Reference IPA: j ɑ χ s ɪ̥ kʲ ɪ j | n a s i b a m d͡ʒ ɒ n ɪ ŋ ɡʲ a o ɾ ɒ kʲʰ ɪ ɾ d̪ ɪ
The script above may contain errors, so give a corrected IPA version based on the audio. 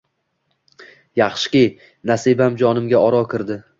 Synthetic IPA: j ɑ χ ʃ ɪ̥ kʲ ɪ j | n a s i b a m d͡ʒ ɒ n ɪ m ɡʲ a ɒ ɾ ɒ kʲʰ ɪ ɾ d̪ ɪ